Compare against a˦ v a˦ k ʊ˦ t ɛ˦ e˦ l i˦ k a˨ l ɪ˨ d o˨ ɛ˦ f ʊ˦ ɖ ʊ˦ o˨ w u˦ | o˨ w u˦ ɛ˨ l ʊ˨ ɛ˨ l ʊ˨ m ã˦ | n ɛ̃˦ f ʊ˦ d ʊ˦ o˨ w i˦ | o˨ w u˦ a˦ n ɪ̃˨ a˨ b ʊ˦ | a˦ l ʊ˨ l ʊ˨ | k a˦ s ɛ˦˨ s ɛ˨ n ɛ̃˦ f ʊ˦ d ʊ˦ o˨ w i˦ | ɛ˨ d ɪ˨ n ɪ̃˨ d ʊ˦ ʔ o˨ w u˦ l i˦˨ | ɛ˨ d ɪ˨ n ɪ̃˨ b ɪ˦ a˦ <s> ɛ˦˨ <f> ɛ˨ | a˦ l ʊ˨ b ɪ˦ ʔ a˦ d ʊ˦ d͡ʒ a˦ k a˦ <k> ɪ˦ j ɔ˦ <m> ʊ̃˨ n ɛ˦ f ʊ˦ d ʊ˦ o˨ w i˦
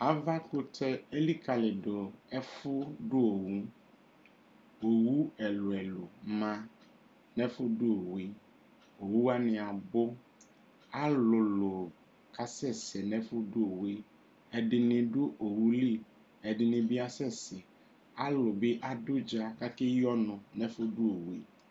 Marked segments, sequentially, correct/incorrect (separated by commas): correct, incorrect, correct, incorrect